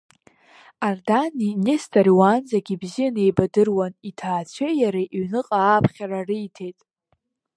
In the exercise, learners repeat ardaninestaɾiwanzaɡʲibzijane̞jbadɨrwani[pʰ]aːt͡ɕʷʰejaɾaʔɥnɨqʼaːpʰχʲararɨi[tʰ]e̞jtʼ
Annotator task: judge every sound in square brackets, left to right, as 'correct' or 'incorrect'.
incorrect: tʰ, correct

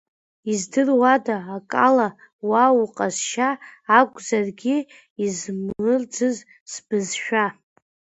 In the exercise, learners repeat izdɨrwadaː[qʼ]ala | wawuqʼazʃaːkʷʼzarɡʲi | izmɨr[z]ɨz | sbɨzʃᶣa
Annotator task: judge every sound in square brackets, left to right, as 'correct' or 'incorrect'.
incorrect: kʼ, incorrect: d͡z

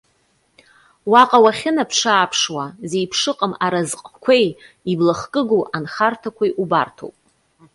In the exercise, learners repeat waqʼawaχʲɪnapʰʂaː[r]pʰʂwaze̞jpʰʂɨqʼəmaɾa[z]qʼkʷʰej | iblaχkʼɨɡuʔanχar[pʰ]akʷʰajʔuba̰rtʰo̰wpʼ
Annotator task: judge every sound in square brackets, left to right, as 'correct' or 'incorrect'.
incorrect: none, correct, incorrect: tʰ

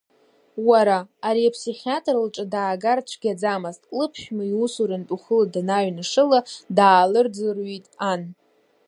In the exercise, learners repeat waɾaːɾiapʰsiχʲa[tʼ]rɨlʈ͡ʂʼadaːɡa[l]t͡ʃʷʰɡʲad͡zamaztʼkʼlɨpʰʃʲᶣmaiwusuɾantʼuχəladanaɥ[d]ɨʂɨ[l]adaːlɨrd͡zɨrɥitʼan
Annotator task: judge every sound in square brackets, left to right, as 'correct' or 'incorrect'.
correct, incorrect: r, incorrect: n, correct

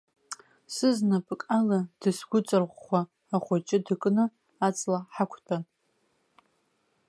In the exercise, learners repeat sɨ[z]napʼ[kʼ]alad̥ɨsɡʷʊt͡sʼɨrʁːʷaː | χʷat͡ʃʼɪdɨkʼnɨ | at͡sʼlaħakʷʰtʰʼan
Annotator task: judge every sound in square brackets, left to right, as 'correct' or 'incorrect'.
correct, correct

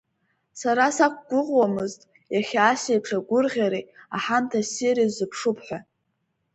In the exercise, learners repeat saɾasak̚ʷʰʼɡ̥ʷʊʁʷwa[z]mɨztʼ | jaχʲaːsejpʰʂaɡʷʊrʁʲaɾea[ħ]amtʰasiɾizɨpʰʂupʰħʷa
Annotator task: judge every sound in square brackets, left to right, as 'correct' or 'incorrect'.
incorrect: none, correct

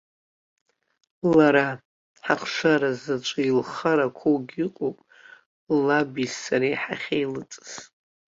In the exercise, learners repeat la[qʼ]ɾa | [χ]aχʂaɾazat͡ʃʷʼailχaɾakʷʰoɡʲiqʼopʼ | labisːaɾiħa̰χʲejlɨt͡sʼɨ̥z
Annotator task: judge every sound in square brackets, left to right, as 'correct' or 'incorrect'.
incorrect: none, incorrect: ħ

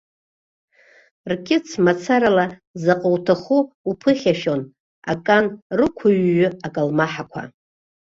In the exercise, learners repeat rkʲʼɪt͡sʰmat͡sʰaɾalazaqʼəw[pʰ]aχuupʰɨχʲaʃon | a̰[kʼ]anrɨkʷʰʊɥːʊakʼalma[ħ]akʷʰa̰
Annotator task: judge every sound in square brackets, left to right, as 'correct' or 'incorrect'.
incorrect: tʰ, correct, correct

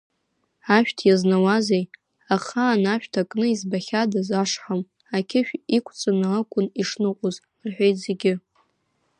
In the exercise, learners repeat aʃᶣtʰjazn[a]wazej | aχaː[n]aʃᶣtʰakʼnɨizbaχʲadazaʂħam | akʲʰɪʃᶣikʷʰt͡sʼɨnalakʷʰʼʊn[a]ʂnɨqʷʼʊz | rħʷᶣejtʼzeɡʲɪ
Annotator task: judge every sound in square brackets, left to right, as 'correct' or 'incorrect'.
correct, correct, incorrect: i

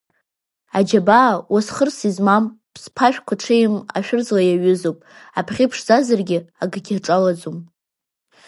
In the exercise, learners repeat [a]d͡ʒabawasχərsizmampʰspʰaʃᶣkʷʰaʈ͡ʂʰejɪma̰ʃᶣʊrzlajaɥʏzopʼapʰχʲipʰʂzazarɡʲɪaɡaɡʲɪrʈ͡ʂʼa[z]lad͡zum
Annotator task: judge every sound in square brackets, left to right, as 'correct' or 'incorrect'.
correct, incorrect: none

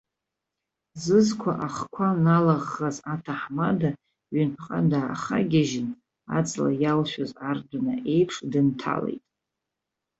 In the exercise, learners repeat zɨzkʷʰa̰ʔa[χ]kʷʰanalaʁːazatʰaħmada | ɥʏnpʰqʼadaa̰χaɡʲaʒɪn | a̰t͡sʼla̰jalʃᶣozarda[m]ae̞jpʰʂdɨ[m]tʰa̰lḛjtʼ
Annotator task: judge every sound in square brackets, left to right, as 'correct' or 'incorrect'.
correct, incorrect: n, incorrect: n

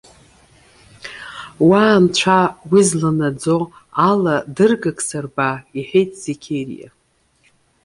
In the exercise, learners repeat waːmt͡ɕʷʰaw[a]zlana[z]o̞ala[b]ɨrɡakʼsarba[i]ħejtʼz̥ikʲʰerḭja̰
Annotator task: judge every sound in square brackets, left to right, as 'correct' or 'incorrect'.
incorrect: i, incorrect: d͡z, incorrect: d, correct

